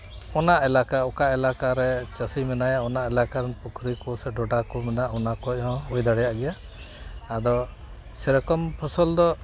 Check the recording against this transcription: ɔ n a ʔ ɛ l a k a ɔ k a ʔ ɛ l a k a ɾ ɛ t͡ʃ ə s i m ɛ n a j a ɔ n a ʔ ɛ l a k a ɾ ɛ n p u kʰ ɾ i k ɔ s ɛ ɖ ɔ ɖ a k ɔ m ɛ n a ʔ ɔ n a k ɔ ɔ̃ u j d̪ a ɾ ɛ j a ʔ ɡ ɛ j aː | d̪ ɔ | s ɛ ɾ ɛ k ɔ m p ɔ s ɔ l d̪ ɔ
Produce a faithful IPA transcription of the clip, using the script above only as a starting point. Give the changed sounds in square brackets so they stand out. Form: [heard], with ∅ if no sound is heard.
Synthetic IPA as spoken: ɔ n a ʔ ɛ l a k a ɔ k a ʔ ɛ l a k a ɾ ɛ t͡ʃ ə s i m ɛ n a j a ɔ n a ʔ ɛ l a k a ɾ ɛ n p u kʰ ɾ i k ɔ s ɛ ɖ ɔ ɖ a k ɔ m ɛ n a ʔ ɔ n a k ɔ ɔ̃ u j d̪ a [ɽ] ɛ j a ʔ ɡ ɛ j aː | d̪ ɔ | s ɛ ɾ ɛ k ɔ m [pʰ] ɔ s ɔ l d̪ ɔ